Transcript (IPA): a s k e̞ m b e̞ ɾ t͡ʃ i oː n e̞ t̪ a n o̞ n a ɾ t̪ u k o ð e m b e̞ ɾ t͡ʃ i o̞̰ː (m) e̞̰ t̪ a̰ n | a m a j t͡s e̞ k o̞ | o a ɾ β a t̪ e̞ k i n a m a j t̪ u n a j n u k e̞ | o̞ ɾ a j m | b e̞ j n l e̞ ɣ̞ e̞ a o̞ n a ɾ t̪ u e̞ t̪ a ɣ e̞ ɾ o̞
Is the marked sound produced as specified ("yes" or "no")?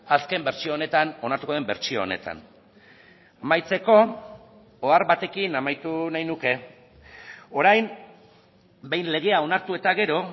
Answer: no